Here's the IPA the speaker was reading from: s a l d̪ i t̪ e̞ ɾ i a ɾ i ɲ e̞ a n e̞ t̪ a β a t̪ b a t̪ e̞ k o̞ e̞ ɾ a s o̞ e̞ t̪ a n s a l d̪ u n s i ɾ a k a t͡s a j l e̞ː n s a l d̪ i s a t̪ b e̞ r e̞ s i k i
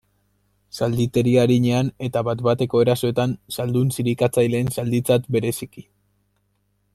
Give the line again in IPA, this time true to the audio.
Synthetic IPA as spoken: s a l d̪ i t̪ e̞ ɾ i a ɾ i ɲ e̞ a n e̞ t̪ a β a t̪ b a t̪ e̞ k o̞ e̞ ɾ a s o̞ e̞ t̪ a n s a l d̪ u n s i ɾ i k a t͡s a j l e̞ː n s a l d̪ i t͡s a t̪ b e̞ ɾ e̞ s i k i